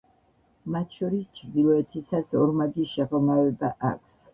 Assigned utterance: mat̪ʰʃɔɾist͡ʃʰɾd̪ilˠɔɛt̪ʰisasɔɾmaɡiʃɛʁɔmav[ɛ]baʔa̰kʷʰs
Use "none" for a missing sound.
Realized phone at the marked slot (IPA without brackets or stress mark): ɛ